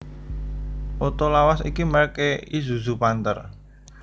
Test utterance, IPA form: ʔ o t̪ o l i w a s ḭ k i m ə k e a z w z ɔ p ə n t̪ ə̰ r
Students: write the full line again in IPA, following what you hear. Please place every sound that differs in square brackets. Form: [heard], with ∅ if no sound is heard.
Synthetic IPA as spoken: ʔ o t̪ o l [a] w a s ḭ k i m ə k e [i] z [u] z [u] p [a] n t̪ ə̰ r

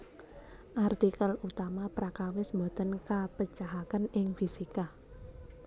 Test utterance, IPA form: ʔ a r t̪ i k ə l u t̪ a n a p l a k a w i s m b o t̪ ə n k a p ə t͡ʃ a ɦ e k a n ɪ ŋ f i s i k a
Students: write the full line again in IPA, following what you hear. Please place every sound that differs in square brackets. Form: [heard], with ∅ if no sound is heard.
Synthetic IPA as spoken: ʔ a r t̪ i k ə l u t̪ a [m] a p [ɾ] a k a w [ɪ] s m b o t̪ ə n k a p ə t͡ʃ a ɦ [a] k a n ɪ ŋ f i s i k a

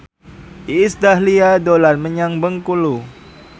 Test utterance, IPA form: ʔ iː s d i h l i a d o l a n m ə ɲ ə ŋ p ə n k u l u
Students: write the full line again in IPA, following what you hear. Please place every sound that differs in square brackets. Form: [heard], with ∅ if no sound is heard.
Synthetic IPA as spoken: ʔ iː s d [a] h l i a d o l a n m ə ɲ [a] ŋ [b] ə [ŋ] k u l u

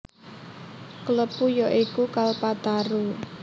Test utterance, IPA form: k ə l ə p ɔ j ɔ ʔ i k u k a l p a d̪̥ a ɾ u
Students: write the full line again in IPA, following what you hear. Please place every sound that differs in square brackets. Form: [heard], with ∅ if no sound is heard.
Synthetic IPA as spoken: k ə l ə p [u] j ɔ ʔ i k u k a l p a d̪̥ a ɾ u

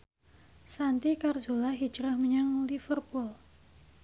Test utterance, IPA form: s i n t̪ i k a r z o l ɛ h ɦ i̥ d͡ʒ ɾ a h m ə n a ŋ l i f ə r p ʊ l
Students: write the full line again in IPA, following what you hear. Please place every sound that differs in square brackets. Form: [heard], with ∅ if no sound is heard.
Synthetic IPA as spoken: s [a] n t̪ i k a r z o l [a] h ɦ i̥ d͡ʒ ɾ a h m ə [ɲ] a ŋ l i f ə r p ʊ l

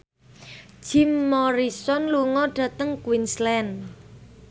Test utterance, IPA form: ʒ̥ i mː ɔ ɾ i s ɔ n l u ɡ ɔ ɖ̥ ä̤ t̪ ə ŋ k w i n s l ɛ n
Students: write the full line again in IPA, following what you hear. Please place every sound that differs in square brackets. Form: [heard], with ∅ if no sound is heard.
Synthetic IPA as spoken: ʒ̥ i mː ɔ ɾ i s ɔ n l u [ŋ] ɔ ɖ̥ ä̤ t̪ ə ŋ k w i n s l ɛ n

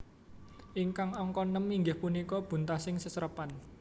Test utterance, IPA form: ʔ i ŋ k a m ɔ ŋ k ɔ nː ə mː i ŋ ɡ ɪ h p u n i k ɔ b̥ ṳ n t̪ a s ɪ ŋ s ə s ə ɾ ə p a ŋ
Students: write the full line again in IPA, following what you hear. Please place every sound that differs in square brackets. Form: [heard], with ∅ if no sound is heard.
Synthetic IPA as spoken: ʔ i ŋ k a [ŋ] ɔ ŋ k ɔ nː ə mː i ŋ ɡ ɪ h p u n i k ɔ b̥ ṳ n t̪ a s ɪ ŋ s ə s ə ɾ ə p a [n]

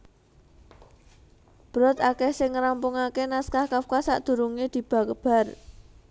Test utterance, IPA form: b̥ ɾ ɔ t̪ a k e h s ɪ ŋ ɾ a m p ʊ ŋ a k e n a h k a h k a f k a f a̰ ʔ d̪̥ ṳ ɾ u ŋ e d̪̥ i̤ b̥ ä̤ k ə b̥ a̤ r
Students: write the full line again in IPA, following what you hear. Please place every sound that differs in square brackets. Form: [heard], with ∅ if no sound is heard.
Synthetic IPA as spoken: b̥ ɾ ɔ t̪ a k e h s ɪ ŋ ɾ a m p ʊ ŋ a k e n a [s] k a h k a f k a [s] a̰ ʔ d̪̥ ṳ ɾ u ŋ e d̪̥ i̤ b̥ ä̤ k ə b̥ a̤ r

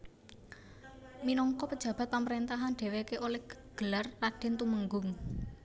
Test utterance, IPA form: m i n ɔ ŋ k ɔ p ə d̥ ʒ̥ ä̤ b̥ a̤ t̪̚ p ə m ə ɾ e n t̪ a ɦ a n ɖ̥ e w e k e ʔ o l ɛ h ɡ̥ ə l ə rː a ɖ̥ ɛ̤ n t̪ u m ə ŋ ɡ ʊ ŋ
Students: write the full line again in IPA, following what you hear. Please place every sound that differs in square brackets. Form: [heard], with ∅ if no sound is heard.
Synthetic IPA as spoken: m i n ɔ ŋ k ɔ p ə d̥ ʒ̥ ä̤ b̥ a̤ t̪̚ p [a] m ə ɾ e n t̪ a ɦ a n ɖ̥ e w e k e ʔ o l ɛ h ɡ̥ ə l [a] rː a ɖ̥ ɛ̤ n t̪ u m ə ŋ ɡ ʊ ŋ

